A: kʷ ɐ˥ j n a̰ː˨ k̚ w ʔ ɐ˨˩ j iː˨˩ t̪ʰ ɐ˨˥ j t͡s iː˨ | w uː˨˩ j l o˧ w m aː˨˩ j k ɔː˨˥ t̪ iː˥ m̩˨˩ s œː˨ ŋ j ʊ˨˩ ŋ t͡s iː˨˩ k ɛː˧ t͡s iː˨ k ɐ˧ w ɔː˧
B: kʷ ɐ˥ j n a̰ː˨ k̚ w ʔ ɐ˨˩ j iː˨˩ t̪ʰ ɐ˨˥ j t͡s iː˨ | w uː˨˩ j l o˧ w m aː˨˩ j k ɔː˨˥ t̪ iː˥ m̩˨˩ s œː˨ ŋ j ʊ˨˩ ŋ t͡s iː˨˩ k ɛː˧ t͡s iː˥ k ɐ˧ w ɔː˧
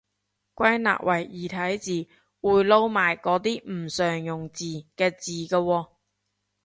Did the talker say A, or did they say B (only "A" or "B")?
A